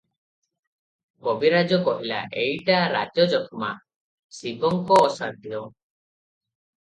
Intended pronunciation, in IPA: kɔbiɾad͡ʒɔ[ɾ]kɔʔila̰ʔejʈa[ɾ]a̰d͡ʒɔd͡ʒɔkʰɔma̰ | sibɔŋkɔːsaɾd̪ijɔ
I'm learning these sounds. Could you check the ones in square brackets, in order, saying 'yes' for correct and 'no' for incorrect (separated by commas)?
no, yes